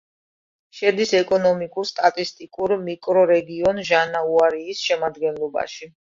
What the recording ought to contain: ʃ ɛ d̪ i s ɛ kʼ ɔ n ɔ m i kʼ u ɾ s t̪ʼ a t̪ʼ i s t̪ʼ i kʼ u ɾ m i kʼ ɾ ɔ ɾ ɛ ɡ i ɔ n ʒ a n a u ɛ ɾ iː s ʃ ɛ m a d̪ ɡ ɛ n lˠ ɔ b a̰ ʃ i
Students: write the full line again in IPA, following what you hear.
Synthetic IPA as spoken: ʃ ɛ d̪ i s ɛ kʼ ɔ n ɔ m i kʼ u ɾ s t̪ʼ a t̪ʼ i s t̪ʼ i kʼ u ɾ m i kʼ ɾ ɔ ɾ ɛ ɡ i ɔ n ʒ a n a u a ɾ iː s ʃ ɛ m a d̪ ɡ ɛ n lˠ ɔ b a̰ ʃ i